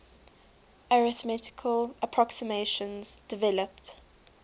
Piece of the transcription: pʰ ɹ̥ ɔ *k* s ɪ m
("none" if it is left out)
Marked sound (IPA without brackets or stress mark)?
k